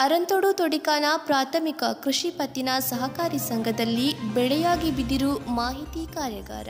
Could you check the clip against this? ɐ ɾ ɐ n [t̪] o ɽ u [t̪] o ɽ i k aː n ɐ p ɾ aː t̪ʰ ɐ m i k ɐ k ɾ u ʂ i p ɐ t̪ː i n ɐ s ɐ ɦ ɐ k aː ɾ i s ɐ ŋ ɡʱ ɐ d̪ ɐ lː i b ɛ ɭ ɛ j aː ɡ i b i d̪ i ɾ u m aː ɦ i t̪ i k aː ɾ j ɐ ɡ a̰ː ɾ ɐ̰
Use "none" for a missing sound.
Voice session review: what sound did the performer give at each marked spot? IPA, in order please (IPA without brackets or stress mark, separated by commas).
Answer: t̪, t̪